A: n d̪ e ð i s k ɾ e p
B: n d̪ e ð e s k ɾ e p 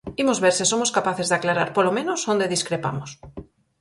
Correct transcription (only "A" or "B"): A